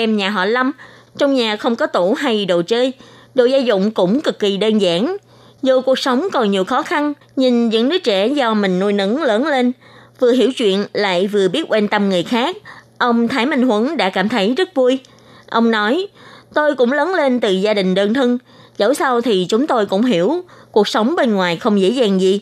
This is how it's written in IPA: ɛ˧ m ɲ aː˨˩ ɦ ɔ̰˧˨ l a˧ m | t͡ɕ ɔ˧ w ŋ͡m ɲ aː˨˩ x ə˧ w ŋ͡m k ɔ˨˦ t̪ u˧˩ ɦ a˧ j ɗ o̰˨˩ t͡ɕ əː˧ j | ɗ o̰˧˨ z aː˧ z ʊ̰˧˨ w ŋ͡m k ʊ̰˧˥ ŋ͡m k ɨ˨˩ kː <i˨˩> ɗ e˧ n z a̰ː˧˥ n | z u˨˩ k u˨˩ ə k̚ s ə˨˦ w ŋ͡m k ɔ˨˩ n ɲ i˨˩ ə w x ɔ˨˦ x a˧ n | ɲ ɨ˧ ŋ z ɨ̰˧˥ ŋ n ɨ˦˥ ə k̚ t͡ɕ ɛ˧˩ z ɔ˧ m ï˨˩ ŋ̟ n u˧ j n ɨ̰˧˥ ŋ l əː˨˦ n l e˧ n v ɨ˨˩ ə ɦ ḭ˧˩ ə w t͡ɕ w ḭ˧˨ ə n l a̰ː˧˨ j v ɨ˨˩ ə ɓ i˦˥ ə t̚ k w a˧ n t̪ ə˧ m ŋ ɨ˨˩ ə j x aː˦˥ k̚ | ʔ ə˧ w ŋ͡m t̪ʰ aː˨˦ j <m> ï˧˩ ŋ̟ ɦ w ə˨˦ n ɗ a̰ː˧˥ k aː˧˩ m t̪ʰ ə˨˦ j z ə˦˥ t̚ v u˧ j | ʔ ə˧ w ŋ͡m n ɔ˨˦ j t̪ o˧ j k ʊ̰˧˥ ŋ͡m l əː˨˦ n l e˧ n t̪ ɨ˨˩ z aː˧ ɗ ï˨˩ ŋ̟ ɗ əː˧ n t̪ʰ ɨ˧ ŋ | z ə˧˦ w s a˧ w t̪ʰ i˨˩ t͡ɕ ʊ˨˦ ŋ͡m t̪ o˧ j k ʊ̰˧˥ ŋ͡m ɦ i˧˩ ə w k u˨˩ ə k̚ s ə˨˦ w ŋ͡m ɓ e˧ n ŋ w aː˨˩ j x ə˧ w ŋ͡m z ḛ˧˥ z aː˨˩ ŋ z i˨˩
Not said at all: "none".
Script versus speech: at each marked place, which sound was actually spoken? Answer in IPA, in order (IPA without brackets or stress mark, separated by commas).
i˨˩, m